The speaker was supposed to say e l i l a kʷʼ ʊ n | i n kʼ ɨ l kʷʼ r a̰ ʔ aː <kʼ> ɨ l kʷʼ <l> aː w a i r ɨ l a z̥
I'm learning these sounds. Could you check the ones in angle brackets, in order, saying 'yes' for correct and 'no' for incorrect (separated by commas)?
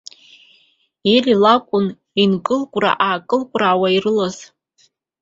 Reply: yes, no